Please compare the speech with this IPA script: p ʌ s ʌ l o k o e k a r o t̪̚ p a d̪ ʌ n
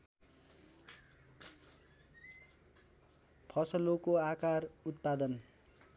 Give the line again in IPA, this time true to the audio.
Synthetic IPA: pʰ ʌ s ʌ l o k o a k a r u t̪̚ p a d̪ ʌ n